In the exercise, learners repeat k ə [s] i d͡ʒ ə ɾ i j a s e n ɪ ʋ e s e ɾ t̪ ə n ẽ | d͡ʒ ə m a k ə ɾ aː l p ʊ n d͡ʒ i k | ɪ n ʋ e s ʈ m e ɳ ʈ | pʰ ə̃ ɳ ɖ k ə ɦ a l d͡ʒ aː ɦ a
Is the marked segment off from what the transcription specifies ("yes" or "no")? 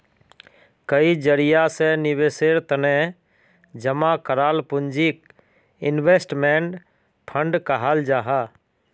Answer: yes